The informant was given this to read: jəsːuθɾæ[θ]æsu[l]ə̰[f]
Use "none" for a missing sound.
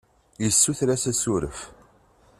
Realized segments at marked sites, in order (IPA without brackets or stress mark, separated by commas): s, ɾ, f